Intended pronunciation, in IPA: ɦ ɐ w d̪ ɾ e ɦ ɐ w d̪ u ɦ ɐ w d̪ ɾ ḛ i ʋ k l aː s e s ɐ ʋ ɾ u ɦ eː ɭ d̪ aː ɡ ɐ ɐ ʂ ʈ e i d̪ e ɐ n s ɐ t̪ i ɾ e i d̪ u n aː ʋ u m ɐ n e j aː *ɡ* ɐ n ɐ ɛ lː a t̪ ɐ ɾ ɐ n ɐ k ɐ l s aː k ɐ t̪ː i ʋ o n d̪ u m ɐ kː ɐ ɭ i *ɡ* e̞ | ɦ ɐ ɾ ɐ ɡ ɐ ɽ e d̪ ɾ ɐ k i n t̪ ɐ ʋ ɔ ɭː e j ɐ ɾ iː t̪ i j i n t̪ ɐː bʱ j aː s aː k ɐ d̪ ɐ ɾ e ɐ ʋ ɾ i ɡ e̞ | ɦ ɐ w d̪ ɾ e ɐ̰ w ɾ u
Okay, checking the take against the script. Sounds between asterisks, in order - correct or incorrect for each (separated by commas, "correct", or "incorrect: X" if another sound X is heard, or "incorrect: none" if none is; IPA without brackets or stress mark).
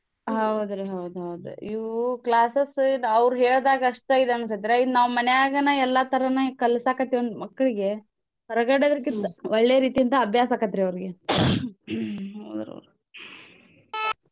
correct, correct